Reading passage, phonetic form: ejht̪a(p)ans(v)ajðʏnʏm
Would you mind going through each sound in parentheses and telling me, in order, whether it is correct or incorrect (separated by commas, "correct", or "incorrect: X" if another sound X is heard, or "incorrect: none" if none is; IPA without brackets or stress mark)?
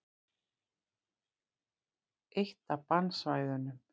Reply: correct, correct